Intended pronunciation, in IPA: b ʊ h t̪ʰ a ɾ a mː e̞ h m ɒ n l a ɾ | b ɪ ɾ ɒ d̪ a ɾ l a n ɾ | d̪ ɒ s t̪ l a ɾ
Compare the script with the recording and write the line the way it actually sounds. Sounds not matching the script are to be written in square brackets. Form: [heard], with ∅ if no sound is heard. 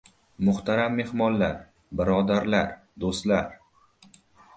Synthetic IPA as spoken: [m] ʊ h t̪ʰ a ɾ a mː e̞ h m ɒ n l a ɾ | b ɪ ɾ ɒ d̪ a ɾ l a [∅] ɾ | d̪ [o] s t̪ l a ɾ